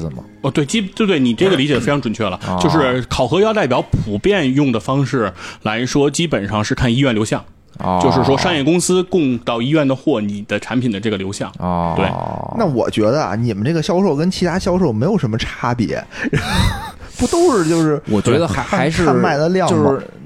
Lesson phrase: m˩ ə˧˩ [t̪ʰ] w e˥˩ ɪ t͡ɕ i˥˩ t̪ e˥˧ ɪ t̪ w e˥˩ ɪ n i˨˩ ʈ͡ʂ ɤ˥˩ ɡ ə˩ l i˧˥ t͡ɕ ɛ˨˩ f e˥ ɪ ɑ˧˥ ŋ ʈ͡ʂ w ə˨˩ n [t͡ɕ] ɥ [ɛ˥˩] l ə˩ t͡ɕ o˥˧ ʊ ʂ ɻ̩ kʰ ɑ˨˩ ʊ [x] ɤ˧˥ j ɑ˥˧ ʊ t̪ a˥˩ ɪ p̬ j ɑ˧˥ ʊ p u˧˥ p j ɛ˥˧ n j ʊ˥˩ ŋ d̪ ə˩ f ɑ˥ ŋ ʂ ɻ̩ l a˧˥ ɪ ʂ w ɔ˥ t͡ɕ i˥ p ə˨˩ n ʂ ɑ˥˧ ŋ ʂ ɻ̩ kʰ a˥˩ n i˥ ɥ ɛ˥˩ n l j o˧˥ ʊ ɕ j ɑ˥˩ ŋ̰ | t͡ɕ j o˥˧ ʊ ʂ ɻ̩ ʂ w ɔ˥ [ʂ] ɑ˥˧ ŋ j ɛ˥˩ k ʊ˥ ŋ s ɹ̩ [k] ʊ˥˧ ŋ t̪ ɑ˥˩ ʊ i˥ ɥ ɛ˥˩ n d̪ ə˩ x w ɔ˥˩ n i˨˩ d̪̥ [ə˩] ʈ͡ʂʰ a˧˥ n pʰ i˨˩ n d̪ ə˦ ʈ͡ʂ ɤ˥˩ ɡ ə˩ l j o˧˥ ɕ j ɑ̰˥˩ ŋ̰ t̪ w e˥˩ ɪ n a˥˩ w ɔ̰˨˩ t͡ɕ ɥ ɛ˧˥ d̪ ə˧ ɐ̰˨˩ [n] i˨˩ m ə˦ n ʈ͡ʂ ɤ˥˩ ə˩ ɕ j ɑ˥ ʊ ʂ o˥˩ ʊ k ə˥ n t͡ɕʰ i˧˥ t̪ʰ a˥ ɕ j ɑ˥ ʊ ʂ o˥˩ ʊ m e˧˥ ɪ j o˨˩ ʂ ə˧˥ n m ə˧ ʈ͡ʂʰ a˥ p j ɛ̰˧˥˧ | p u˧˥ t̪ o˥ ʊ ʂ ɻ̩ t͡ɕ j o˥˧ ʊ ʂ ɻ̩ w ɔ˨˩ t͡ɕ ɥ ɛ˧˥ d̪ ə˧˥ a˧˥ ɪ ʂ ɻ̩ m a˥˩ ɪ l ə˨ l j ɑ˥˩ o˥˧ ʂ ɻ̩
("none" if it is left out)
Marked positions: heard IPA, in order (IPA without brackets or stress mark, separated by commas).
t̪, t͡ɕʰ, ɛ˥˩, x, ʂ, k, ə˦, n